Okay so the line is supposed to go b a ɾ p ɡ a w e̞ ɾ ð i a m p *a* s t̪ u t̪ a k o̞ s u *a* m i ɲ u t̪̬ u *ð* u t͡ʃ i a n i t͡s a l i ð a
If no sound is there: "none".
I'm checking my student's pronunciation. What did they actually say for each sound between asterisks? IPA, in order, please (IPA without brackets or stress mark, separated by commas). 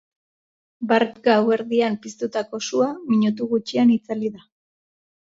i, a, ɣ